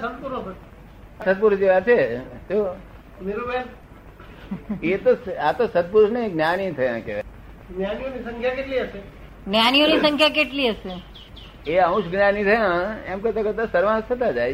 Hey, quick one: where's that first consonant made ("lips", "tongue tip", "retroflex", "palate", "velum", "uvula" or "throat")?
tongue tip